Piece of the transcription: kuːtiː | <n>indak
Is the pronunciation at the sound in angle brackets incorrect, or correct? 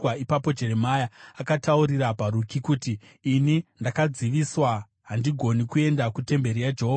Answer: correct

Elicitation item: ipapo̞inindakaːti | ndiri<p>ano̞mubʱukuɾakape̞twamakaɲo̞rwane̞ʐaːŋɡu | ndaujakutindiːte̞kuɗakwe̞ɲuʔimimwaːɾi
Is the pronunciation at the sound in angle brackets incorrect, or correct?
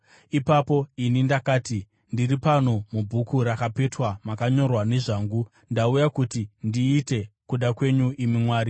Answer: correct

